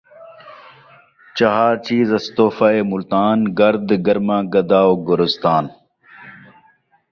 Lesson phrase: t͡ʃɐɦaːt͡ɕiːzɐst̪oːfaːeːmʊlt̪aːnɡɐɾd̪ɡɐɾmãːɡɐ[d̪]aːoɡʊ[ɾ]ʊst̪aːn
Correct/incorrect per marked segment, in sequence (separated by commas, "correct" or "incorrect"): correct, correct